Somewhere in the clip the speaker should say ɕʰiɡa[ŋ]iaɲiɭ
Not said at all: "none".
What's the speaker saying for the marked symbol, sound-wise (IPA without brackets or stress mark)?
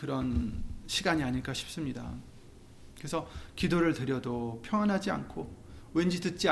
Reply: ɲ